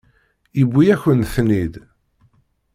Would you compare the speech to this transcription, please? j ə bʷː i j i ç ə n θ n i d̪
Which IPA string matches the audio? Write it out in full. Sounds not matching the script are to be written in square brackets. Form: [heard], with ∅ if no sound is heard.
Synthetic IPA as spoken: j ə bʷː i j [æ] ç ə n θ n i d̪